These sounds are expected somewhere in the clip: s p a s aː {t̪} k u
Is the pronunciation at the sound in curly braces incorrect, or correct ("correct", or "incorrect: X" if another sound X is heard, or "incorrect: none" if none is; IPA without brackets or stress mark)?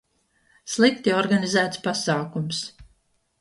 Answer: incorrect: none